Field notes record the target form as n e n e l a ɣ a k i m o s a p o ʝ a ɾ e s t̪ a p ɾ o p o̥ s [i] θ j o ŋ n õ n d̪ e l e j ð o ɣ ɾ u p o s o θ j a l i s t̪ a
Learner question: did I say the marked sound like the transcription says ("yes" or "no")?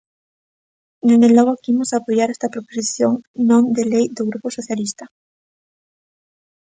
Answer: yes